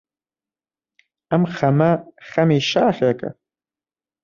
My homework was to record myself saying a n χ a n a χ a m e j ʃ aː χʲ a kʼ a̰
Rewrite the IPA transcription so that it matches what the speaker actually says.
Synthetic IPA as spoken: a m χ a m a χ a m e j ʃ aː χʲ a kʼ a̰